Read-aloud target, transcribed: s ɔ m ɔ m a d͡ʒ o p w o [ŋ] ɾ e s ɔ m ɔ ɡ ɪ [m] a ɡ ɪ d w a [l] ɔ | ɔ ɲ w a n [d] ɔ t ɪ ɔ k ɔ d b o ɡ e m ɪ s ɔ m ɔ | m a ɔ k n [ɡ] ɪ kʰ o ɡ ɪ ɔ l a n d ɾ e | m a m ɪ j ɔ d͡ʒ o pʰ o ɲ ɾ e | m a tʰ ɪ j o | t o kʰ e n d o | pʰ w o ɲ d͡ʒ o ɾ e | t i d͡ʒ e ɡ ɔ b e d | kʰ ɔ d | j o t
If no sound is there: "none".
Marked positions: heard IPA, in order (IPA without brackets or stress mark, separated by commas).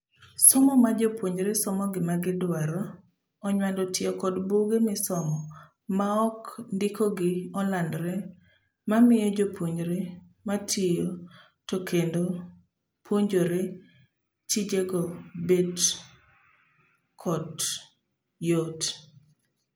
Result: ɲ, m, ɾ, d, d